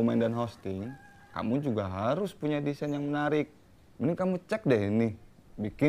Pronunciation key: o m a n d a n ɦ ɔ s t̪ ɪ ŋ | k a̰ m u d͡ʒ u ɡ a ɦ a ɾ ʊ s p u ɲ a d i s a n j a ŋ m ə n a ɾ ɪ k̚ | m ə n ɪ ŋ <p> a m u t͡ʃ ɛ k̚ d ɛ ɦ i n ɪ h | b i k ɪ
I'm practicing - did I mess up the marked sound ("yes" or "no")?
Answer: yes